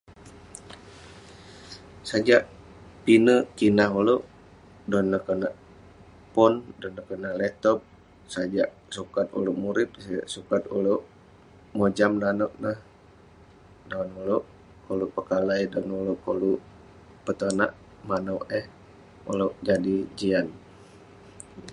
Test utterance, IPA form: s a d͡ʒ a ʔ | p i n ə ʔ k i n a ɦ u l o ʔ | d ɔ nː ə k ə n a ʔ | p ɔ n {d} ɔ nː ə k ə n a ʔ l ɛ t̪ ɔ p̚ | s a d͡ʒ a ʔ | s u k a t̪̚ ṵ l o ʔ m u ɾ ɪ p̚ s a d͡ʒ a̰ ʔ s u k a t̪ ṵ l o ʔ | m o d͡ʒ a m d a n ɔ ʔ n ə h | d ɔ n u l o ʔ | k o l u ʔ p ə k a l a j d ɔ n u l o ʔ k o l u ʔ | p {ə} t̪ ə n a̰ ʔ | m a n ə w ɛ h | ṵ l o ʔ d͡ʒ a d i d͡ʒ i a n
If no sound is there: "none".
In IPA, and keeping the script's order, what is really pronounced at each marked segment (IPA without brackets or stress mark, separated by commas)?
d, ə